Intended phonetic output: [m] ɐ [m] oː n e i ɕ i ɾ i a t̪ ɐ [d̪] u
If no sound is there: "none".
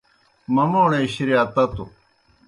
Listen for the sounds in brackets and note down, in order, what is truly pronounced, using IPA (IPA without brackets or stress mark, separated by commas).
m, m, t̪